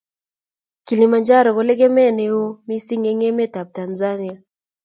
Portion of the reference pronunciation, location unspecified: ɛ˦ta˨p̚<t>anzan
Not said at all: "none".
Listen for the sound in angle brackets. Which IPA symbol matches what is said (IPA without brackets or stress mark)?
t